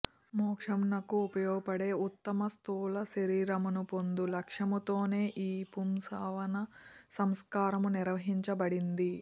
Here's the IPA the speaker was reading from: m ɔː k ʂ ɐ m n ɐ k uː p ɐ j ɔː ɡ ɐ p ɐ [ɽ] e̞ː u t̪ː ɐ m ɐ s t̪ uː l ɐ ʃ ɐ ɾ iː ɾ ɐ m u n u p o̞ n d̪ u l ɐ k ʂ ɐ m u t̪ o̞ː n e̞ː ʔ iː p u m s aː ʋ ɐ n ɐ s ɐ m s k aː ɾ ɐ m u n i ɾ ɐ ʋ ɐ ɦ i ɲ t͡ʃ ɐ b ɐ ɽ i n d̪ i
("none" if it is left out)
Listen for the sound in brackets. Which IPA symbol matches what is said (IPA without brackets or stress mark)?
ɽ